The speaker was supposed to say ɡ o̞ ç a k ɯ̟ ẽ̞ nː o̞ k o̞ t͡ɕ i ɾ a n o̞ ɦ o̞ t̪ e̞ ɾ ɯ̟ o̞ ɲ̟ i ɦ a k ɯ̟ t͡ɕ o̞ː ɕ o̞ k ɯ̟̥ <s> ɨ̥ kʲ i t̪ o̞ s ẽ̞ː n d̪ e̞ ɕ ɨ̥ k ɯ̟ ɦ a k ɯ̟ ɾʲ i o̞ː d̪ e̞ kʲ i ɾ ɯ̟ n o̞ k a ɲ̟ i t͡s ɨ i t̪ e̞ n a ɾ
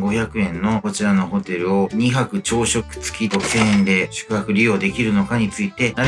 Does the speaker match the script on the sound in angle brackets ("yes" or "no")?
no